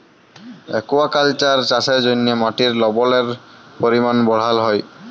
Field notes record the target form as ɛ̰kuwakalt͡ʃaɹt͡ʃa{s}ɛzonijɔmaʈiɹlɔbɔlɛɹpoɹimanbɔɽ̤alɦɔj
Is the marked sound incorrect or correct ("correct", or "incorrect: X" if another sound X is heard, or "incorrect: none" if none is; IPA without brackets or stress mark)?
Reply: correct